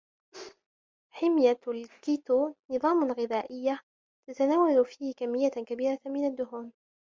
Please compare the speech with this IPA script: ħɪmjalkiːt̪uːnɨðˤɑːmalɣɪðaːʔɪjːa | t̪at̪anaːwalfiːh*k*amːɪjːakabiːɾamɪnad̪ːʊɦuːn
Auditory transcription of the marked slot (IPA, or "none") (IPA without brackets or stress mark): k